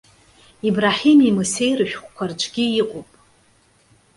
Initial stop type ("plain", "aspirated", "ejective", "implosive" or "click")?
plain